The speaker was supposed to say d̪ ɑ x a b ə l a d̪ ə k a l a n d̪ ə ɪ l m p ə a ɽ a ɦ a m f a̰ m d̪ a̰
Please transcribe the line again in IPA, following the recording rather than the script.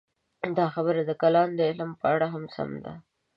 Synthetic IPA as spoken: d̪ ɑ x a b ə ɾ a d̪ ə k a l ɑ n d̪ ə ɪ l m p ə a ɽ a ɦ a m s a̰ m d̪ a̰